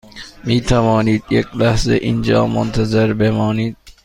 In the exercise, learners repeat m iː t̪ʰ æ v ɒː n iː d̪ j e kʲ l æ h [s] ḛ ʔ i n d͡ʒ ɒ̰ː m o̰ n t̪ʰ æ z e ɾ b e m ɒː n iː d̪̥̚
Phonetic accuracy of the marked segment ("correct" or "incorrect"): incorrect